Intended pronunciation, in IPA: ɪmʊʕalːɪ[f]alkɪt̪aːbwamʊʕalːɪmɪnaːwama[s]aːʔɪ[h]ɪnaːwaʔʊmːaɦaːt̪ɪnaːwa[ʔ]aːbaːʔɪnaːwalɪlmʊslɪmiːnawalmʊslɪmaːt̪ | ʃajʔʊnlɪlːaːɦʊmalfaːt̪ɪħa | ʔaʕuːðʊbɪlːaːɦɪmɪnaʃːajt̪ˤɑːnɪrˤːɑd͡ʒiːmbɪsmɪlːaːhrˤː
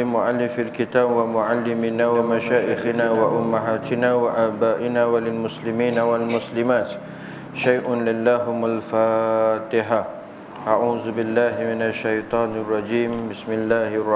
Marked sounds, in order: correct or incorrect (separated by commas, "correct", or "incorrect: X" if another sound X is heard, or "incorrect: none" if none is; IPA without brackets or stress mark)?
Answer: correct, incorrect: ʃ, incorrect: x, correct